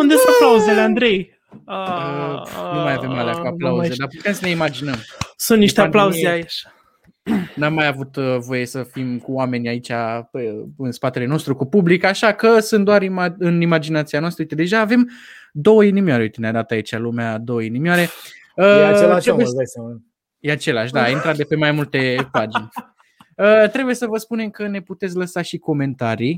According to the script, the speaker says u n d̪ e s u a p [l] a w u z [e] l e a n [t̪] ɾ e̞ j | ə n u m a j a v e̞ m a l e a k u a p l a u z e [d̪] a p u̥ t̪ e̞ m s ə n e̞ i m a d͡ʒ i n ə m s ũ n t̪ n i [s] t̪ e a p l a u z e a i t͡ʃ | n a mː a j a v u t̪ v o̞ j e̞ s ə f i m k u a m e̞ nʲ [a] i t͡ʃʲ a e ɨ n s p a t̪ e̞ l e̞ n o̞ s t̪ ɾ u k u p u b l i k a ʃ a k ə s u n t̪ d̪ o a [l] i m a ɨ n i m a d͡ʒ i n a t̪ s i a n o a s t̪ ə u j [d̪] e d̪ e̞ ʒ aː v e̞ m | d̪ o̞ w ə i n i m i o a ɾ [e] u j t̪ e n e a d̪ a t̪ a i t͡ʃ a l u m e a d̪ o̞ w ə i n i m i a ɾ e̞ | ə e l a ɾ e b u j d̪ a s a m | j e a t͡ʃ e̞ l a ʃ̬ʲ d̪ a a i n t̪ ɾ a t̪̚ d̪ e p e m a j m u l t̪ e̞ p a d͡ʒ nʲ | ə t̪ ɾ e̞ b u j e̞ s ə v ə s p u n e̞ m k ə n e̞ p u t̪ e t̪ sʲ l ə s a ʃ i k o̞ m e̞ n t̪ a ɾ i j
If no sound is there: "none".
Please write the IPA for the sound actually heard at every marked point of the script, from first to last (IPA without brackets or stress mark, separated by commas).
l, e, d̪, d̪, ʃ, a, ɾ, t̪, e